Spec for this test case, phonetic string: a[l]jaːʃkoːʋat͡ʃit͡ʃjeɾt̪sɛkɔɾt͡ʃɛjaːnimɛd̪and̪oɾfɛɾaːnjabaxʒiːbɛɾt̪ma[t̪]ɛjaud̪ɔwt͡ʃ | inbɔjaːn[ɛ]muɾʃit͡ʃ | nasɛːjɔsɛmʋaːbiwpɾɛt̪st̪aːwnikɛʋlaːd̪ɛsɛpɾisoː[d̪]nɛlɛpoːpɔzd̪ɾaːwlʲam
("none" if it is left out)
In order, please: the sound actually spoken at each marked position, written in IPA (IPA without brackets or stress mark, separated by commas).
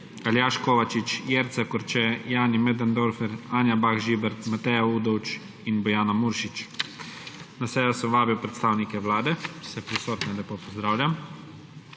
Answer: l, t̪, a, t̪